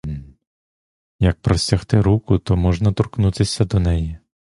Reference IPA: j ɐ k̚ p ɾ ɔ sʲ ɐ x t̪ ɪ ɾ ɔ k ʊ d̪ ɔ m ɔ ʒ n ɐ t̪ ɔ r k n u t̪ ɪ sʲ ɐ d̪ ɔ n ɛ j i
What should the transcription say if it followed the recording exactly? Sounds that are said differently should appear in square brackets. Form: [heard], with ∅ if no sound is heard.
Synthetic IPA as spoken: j ɐ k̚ p ɾ ɔ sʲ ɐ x t̪ ɪ ɾ [u] k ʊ [t̪] ɔ m ɔ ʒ n ɐ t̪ ɔ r k n u t̪ ɪ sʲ ɐ d̪ ɔ n ɛ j i